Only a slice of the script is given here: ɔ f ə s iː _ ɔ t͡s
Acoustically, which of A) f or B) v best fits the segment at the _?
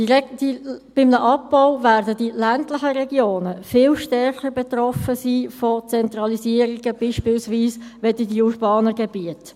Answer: A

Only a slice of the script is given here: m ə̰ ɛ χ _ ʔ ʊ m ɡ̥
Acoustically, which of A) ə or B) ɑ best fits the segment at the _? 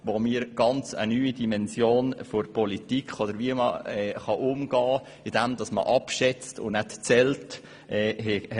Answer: B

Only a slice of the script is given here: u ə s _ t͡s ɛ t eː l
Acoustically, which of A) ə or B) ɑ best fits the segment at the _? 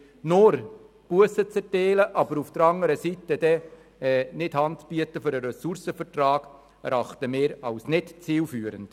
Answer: A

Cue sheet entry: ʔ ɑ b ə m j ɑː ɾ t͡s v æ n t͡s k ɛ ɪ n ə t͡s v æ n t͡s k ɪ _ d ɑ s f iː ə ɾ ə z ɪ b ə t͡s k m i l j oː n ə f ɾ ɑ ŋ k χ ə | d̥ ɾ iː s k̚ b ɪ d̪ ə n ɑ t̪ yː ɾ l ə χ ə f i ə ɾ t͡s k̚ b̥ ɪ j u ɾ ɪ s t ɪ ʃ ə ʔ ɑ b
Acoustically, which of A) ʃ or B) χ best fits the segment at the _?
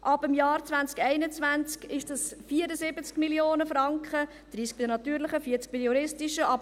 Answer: A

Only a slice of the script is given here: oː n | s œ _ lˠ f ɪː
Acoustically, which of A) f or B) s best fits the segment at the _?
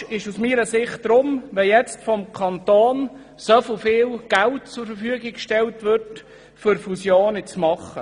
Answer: A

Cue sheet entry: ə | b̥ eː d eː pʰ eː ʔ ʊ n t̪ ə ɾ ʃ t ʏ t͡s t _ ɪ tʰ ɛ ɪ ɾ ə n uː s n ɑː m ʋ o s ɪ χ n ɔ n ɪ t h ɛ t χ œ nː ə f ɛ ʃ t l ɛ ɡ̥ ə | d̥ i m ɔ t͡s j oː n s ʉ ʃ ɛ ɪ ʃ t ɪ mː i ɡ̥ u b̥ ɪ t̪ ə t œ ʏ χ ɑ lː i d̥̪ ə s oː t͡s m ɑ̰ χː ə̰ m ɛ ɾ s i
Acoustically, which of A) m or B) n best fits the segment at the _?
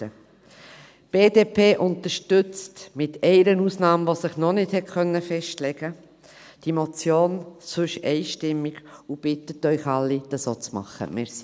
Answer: A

